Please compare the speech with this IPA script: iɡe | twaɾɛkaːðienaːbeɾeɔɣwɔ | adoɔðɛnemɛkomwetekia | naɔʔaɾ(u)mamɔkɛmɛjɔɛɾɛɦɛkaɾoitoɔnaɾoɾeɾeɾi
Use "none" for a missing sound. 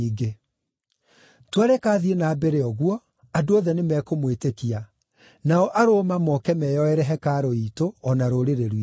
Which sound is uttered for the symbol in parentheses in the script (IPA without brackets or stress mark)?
o